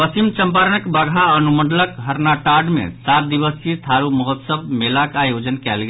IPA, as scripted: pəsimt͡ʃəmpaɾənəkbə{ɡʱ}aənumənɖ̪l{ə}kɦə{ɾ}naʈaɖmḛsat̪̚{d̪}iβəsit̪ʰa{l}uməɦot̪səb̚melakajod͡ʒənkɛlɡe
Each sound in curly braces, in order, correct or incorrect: correct, correct, correct, correct, incorrect

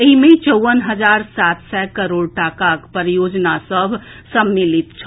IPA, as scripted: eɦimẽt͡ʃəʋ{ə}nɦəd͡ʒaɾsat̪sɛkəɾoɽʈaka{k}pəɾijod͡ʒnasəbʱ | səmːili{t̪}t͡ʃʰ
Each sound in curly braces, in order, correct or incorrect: correct, correct, correct

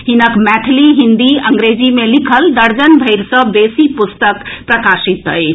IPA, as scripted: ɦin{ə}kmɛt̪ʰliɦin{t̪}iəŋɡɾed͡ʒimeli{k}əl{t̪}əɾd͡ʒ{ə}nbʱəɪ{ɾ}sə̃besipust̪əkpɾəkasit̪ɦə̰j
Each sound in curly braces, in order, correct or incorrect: correct, incorrect, incorrect, incorrect, correct, correct

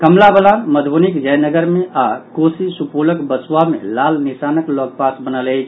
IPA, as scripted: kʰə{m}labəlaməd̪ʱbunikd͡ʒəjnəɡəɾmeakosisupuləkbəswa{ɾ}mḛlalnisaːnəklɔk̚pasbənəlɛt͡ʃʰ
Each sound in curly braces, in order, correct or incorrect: correct, incorrect

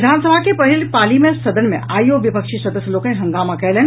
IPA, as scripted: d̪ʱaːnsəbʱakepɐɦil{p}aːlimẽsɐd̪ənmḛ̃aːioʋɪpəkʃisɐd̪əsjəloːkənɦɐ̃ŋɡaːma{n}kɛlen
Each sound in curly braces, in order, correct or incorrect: correct, incorrect

